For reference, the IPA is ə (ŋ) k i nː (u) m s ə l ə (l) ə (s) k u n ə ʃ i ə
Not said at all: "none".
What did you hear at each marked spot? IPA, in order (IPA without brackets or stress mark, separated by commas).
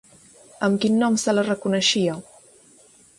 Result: m, ɔ, r, none